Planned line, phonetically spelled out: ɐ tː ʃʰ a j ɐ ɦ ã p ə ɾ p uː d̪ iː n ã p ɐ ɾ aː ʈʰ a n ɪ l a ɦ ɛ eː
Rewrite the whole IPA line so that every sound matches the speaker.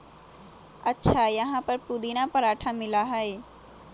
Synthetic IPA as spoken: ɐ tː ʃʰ a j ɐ ɦ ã p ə ɾ p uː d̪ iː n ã p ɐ ɾ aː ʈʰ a m ɪ l a ɦ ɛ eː